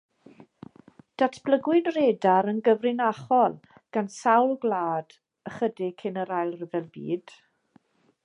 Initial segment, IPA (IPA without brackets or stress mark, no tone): d̥